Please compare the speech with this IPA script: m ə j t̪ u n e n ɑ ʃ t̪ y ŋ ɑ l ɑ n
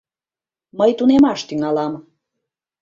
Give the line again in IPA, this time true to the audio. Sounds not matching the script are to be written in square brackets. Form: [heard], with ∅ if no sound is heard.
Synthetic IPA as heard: m ə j t̪ u n e [m] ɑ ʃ t̪ y ŋ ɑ l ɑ [m]